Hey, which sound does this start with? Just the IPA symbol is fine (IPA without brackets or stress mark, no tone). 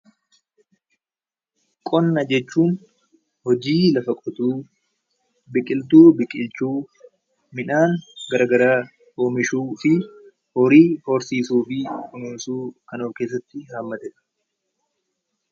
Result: kʼ